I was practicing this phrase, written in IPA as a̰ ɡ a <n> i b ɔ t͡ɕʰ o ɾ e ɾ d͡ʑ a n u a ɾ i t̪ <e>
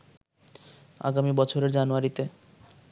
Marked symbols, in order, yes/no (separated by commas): no, yes